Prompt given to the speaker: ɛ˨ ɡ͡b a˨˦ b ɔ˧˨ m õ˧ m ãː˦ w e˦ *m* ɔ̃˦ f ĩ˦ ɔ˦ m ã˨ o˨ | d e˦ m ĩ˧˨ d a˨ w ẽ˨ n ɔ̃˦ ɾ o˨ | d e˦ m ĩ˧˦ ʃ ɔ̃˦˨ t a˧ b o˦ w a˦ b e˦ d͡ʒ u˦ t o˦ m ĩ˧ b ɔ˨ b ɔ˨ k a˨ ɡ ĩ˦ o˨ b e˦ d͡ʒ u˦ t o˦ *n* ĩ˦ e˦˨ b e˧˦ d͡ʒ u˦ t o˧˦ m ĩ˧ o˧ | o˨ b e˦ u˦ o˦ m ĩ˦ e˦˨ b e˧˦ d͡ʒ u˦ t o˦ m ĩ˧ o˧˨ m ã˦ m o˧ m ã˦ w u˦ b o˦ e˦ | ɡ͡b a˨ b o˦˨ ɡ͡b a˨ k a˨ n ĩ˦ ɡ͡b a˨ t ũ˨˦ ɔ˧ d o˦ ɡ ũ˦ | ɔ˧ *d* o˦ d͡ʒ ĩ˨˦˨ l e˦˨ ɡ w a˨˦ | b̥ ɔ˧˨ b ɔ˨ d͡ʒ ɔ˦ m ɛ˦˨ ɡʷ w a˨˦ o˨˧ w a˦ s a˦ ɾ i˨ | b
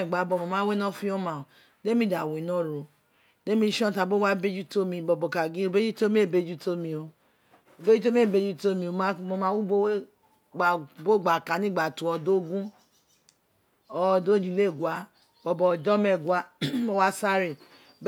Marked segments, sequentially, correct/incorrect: incorrect: n, incorrect: m, correct

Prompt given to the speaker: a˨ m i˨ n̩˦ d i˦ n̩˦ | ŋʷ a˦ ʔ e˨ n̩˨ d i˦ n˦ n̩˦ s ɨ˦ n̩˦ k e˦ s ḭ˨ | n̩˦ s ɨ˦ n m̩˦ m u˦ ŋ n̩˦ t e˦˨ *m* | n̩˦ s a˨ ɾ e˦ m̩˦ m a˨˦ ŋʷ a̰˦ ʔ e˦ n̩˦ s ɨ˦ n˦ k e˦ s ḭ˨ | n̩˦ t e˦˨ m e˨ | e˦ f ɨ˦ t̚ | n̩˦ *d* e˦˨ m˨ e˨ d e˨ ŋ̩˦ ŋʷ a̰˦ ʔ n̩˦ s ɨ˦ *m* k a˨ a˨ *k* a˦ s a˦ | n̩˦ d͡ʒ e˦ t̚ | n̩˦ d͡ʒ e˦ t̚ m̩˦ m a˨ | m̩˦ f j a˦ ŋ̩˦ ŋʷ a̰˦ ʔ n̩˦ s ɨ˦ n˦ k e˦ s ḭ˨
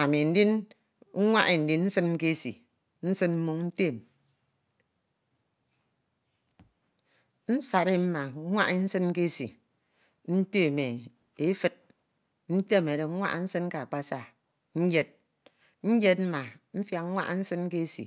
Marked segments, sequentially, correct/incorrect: correct, incorrect: t, incorrect: n, incorrect: k͡p

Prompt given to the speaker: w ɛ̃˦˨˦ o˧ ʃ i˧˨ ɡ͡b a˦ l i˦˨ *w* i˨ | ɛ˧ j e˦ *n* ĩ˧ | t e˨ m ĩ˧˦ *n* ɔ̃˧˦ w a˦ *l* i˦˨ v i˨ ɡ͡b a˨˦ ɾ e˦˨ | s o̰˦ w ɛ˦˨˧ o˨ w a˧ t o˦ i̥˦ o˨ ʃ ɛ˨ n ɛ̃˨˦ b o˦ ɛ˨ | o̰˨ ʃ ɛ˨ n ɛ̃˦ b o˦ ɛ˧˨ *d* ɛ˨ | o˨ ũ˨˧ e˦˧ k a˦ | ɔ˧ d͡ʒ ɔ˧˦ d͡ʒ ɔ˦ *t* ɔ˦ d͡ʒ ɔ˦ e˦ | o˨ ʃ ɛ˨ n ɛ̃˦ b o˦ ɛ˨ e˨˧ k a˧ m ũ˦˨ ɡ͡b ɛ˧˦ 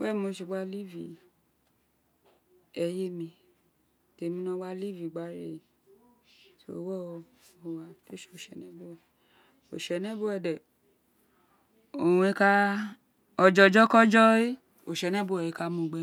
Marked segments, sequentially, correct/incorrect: incorrect: v, incorrect: m, correct, correct, correct, incorrect: k

